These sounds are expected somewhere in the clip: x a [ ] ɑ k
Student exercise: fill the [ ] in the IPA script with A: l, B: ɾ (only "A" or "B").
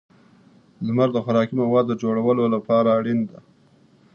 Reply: B